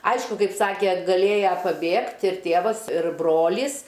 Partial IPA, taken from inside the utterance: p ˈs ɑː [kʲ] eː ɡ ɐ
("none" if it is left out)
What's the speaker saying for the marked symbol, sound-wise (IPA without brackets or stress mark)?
kʲ